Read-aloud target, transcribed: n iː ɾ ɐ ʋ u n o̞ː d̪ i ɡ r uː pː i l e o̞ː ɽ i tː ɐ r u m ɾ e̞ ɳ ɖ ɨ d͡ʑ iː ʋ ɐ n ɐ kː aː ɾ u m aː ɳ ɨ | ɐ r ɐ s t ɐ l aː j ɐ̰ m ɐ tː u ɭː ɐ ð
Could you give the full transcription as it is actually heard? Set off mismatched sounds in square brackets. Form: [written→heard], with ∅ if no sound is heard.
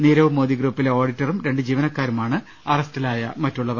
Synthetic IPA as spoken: n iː ɾ ɐ ʋ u [n→m] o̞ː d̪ i ɡ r uː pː i l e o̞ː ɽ i tː ɐ r u m ɾ e̞ ɳ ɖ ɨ d͡ʑ iː ʋ ɐ n ɐ kː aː ɾ u m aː ɳ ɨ | ɐ r ɐ s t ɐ l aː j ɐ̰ m ɐ tː u ɭː ɐ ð